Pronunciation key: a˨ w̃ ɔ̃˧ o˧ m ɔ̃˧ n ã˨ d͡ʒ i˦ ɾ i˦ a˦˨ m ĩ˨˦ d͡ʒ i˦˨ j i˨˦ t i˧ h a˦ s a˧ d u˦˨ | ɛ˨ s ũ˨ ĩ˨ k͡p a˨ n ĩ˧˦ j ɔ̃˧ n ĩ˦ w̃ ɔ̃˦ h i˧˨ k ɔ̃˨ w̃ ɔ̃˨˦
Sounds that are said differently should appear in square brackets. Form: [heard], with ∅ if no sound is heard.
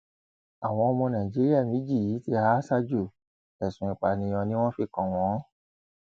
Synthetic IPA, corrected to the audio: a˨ w̃ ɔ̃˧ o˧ m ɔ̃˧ n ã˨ d͡ʒ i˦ ɾ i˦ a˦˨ m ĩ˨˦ d͡ʒ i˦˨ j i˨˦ t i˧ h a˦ s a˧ [d͡ʒ] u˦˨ | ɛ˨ s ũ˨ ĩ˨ k͡p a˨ n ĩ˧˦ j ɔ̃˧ n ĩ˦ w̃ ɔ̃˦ [f] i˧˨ k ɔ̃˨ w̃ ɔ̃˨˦